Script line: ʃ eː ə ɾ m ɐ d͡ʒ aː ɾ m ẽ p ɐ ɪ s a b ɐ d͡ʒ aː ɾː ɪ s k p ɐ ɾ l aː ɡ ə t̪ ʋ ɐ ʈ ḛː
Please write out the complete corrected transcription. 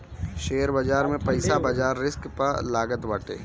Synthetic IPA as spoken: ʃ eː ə ɾ b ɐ d͡ʒ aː ɾ m ẽ p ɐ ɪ s a b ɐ d͡ʒ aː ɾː ɪ s k p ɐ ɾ l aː ɡ ə t̪ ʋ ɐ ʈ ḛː